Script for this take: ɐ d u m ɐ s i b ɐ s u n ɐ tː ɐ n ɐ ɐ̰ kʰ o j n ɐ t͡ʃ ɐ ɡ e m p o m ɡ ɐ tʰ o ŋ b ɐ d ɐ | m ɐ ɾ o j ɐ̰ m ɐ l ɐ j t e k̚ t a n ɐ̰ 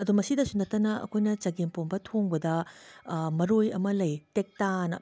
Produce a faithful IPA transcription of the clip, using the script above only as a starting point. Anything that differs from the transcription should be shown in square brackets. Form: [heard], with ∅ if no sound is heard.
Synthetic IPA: ɐ d u m ɐ s i [d] ɐ s u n ɐ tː ɐ n ɐ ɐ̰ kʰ o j n ɐ t͡ʃ ɐ ɡ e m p o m [b] ɐ tʰ o ŋ b ɐ d ɐ | m ɐ ɾ o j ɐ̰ m ɐ l ɐ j t e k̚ t a n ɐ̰